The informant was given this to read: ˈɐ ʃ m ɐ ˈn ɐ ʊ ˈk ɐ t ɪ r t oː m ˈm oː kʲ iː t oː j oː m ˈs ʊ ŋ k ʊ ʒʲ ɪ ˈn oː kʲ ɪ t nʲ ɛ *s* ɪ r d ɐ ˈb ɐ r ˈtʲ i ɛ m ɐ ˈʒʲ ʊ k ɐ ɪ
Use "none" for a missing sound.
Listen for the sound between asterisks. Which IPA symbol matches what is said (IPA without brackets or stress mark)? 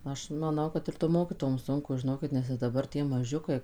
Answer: s